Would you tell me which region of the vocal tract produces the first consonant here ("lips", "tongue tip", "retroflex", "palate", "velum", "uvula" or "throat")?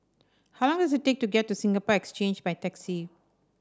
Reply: throat